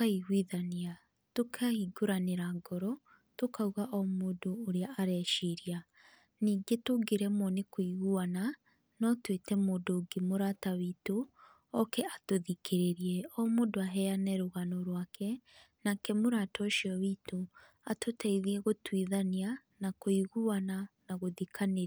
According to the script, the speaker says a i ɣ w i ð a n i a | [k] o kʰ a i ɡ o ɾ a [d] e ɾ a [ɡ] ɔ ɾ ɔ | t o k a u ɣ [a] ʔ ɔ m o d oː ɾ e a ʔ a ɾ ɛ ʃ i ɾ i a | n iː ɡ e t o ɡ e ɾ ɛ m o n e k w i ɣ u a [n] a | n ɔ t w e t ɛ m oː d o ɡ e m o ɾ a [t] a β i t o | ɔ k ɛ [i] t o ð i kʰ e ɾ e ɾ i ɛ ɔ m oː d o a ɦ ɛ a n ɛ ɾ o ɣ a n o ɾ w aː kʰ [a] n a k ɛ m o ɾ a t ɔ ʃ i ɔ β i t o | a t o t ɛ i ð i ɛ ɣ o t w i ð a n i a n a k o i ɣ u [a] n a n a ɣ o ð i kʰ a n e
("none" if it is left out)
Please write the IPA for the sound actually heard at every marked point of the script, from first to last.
t, n, ɡ, a, n, t, a, ɛ, a

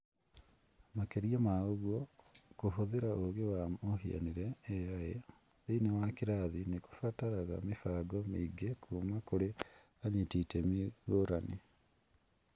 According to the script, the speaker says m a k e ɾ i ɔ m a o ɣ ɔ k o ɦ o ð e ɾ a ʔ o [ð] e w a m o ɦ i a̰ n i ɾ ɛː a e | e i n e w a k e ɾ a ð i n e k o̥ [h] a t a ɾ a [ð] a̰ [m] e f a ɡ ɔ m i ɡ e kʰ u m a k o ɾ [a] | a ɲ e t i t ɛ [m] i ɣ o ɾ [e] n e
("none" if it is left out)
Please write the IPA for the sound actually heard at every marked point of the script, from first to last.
ɣ, f, ɣ, m, e, m, a

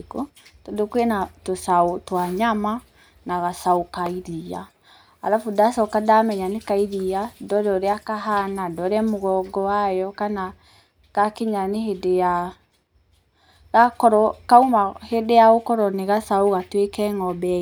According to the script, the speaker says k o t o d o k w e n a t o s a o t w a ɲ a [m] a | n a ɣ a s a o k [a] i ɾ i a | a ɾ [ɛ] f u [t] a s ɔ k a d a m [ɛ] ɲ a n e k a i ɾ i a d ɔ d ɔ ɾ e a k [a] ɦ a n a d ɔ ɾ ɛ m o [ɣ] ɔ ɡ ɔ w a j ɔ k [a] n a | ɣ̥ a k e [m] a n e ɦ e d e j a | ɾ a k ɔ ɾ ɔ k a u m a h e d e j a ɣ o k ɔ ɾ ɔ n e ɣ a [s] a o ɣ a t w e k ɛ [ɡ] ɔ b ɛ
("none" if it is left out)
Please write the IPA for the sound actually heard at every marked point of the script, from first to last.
m, a, a, d, ɛ, a, ɣ, a, ɲ, s, ŋ

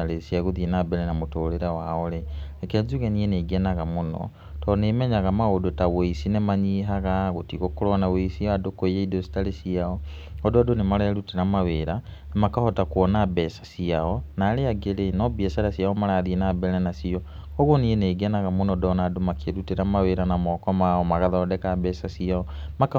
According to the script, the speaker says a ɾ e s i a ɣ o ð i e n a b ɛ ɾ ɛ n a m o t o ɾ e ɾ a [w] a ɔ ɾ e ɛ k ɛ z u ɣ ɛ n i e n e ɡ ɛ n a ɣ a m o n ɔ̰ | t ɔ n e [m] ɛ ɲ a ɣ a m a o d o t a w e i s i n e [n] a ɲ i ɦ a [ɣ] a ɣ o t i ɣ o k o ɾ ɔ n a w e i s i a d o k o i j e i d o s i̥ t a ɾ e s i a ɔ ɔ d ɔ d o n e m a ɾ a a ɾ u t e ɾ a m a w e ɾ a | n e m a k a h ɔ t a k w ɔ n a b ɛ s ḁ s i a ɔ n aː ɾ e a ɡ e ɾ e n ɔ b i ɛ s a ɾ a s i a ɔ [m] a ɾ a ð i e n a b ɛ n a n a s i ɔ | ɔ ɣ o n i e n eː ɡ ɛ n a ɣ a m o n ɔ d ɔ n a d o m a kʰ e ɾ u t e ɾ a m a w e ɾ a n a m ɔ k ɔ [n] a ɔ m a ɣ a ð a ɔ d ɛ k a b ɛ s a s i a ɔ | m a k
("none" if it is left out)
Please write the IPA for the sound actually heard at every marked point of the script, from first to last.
w, m, m, ɣ, m, m

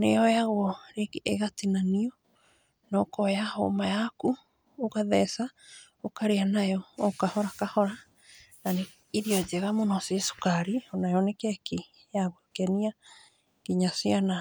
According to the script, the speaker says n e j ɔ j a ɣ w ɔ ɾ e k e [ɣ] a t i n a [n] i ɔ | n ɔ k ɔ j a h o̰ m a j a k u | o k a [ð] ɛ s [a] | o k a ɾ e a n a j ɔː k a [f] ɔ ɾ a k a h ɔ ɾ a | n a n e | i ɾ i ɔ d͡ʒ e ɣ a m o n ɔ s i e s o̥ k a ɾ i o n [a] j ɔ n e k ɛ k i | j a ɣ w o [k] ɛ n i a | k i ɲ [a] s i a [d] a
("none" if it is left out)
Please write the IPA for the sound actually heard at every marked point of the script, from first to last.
ɣ, n, ð, a, h, a, k, a, n

